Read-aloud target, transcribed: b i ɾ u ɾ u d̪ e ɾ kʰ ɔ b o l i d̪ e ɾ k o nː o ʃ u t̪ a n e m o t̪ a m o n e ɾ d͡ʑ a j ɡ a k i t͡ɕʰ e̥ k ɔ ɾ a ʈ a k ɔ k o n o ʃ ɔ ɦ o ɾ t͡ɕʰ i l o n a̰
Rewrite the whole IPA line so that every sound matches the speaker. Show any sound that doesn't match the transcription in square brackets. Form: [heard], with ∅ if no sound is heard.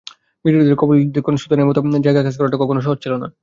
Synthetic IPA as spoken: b i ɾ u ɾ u d̪ e ɾ [k] ɔ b o l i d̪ e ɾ k o [n] o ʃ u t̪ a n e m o t̪ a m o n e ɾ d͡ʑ a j ɡ a k [a] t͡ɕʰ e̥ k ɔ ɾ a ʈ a k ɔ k o n o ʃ ɔ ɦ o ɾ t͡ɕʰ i l o n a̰